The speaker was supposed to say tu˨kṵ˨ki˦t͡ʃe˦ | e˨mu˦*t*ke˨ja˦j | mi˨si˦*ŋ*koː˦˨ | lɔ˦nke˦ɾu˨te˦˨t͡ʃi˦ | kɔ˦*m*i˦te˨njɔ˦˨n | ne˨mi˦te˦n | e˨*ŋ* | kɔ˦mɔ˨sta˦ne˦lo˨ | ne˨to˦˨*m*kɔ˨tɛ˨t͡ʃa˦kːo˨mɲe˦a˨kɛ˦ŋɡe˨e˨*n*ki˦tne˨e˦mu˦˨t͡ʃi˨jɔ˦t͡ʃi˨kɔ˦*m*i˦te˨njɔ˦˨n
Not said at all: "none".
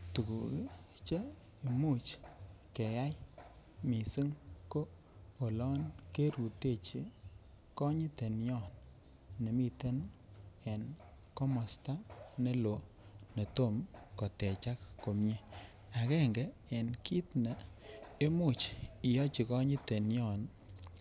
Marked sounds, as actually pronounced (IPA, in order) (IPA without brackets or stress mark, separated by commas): t͡ʃ, ŋ, ɲ, n, m, n, ɲ